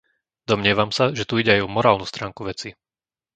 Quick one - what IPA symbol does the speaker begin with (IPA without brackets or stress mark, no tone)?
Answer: d̪